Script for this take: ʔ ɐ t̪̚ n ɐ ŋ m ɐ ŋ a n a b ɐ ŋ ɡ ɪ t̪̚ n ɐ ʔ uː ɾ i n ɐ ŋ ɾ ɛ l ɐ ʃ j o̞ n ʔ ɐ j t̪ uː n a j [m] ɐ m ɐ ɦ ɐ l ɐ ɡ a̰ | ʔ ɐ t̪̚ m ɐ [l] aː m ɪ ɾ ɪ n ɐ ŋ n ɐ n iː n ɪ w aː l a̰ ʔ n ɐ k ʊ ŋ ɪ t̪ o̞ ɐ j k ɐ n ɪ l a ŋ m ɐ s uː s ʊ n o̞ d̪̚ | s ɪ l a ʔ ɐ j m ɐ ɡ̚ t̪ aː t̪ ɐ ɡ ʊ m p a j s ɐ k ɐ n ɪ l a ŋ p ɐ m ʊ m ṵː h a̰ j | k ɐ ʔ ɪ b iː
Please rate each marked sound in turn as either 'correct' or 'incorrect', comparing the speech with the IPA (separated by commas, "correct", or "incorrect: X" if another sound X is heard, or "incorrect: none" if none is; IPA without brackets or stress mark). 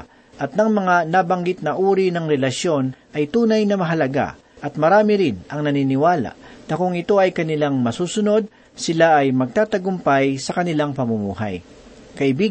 incorrect: n, incorrect: ɾ